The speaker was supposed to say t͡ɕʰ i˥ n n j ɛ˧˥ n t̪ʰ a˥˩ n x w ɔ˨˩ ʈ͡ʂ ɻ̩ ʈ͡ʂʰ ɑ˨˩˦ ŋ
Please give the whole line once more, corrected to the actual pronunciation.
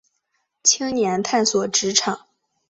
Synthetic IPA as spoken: t͡ɕʰ i˥ ŋ n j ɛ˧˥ n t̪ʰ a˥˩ n s w ɔ˨˩ ʈ͡ʂ ɻ̩ ʈ͡ʂʰ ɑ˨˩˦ ŋ